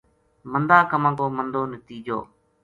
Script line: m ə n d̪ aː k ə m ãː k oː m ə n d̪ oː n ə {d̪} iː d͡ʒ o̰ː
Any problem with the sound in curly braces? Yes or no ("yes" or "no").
yes